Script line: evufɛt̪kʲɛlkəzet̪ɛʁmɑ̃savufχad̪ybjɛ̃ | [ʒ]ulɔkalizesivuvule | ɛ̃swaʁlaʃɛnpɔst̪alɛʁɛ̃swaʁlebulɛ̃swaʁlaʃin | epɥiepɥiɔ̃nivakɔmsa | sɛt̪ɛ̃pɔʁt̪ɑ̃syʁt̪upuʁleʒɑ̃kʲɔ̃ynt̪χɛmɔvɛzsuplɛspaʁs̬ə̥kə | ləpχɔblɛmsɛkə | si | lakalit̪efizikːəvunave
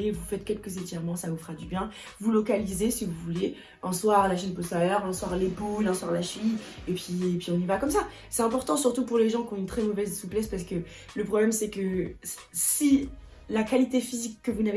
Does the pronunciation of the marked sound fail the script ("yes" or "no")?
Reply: yes